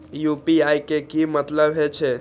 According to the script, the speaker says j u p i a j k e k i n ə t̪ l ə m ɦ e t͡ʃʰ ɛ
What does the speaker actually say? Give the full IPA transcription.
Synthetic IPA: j u p i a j k e k i m ə t̪ l ə b ɦ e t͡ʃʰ ɛ